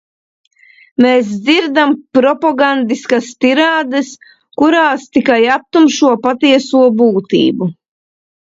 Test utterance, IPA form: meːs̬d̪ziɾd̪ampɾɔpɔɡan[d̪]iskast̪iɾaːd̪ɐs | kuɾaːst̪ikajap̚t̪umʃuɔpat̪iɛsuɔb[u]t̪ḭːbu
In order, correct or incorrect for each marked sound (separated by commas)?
correct, incorrect